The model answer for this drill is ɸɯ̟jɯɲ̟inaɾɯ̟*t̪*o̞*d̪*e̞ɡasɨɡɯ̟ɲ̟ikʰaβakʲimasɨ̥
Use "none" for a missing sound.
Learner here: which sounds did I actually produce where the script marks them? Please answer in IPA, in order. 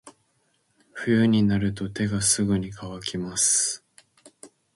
t̪, t̪

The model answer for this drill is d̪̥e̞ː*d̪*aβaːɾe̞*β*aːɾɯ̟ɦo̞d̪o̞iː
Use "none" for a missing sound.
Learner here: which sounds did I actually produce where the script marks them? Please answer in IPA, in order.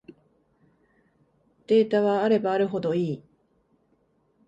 t̪, b

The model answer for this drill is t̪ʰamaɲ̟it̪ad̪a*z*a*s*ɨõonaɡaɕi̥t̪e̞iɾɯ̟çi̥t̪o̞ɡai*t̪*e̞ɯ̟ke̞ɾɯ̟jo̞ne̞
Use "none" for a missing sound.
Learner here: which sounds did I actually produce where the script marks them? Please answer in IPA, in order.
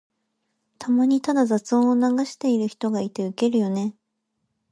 z, t͡s, t̪

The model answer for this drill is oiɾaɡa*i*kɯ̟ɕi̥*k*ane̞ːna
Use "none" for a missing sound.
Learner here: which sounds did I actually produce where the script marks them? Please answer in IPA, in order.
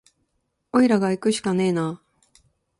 i, k

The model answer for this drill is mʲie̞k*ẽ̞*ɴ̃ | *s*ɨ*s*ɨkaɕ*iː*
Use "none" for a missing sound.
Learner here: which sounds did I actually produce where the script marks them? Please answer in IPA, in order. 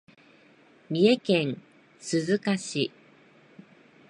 ẽ̞, s, z, i

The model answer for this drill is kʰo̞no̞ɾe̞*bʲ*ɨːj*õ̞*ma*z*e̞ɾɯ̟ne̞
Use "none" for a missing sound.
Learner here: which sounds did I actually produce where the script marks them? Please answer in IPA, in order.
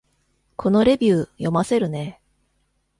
bʲ, o̞, s

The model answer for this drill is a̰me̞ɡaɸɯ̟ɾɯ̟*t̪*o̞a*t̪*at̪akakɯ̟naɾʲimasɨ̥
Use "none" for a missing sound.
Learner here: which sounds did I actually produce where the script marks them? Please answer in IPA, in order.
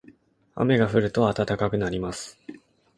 t̪, t̪

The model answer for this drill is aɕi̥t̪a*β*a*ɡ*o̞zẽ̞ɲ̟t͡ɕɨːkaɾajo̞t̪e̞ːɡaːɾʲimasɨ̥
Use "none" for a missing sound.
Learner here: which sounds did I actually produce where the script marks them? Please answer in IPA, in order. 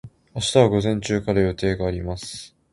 β, ɡ

